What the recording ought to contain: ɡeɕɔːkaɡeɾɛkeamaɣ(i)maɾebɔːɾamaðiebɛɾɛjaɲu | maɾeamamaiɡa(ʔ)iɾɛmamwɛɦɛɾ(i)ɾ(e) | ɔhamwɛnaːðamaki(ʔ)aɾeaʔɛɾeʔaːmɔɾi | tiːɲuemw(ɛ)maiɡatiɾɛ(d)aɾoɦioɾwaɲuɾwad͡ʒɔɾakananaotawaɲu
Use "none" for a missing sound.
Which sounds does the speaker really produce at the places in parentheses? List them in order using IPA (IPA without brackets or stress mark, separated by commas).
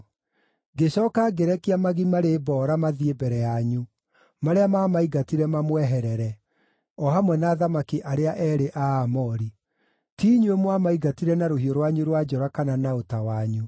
i, t, ɛ, ɛ, ʔ, a, n